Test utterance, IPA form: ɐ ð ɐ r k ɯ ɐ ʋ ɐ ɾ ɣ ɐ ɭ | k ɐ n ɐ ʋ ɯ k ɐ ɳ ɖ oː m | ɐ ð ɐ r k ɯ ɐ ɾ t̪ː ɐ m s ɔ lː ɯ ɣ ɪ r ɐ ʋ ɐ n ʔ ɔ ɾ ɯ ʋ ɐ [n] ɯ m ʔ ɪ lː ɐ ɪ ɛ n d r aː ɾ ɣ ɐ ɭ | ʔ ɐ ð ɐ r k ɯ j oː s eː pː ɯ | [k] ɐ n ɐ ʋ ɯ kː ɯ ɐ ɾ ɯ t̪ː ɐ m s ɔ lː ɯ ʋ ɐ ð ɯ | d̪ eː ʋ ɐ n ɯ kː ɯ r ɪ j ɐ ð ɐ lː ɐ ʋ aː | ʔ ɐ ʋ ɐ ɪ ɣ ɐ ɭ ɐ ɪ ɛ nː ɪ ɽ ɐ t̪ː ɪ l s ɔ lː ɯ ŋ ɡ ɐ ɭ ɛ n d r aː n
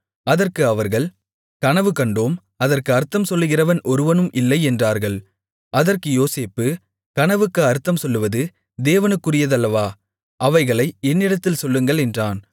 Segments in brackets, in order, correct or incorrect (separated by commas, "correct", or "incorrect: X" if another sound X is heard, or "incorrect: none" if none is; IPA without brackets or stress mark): correct, correct